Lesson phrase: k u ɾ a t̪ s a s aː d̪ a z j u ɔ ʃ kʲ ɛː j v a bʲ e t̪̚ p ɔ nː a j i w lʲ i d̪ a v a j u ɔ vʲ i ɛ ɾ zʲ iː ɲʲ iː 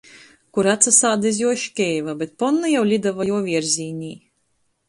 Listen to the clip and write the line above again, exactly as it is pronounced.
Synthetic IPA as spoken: k u ɾ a t̪ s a s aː d̪ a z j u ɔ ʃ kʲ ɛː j v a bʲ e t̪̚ p ɔ nː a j a w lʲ i d̪ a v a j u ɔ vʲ i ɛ ɾ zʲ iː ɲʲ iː